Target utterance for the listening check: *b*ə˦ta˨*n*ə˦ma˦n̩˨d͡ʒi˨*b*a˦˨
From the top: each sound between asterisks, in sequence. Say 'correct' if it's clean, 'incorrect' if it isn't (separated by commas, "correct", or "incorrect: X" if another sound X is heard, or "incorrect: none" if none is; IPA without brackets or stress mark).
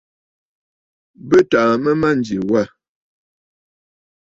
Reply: correct, incorrect: m, incorrect: w